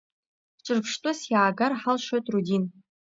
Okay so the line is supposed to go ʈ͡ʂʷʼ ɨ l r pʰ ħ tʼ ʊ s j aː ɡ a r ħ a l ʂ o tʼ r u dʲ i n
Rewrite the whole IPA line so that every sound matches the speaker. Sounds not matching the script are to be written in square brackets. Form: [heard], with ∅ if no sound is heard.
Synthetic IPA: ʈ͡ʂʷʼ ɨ [∅] r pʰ [ʂ] tʼ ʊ s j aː ɡ a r ħ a l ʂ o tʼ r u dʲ i n